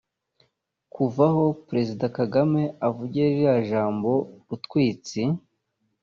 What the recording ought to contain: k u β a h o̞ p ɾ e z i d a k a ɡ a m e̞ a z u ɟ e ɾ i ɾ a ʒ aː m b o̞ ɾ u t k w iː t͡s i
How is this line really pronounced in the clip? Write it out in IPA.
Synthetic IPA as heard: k u v a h o̞ p ɾ e z i d a k a ɡ a m e̞ a v u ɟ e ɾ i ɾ a ʒ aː m b o̞ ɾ u t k w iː t͡s i